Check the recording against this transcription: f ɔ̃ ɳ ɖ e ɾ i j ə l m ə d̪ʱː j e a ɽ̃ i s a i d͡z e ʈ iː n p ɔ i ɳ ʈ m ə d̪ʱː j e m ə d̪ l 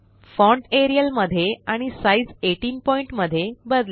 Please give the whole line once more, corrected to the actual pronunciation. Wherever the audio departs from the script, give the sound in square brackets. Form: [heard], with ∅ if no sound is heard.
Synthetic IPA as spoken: f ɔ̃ ɳ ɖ e ɾ i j ə l m ə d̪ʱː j e a ɽ̃ i s a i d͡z e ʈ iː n p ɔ i ɳ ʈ m ə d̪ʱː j e [b] ə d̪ l